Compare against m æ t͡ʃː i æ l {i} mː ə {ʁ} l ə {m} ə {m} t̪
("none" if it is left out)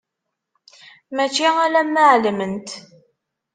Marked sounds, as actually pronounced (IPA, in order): æ, ʕ, m, n

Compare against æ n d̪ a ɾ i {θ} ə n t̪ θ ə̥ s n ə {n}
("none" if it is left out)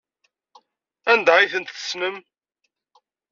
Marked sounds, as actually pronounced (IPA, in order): θ, m

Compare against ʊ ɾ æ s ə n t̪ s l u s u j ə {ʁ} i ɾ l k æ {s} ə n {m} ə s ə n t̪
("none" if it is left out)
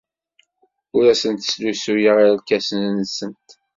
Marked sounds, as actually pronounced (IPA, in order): ʁ, s, n

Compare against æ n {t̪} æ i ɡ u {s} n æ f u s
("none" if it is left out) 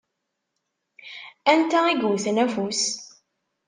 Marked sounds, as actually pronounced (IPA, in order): t̪, θ

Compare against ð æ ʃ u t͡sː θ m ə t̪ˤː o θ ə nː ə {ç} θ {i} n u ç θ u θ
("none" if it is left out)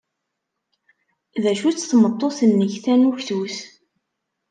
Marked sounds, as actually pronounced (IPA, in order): ç, æ

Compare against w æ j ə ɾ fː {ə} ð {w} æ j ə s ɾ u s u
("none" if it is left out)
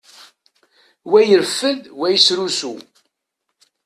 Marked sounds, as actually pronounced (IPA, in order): ə, w

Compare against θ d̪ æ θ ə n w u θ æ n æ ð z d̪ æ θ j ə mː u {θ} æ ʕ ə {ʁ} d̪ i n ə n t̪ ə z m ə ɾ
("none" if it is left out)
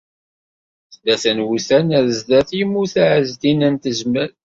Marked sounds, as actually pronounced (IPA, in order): θ, z

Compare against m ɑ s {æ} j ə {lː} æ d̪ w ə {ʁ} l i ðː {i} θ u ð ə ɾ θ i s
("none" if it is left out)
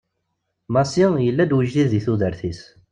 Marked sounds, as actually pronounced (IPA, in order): i, lː, ʒ, i

